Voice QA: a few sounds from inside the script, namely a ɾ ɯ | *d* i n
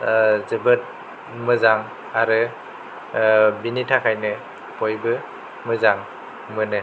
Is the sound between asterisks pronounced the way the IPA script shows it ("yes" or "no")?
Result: no